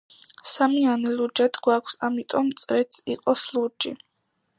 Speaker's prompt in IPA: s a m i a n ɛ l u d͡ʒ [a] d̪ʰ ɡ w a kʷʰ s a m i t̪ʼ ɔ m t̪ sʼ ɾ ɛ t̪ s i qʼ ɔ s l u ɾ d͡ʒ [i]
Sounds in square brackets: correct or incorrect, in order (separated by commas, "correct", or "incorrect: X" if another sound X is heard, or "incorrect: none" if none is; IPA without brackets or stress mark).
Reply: correct, correct